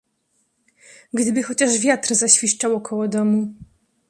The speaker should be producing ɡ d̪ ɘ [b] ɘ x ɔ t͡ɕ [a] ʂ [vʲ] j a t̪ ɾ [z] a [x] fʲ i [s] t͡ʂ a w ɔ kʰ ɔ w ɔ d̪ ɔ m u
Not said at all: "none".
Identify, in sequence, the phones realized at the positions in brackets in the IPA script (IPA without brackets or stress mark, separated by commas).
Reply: b, a, vʲ, z, ɕ, ʂ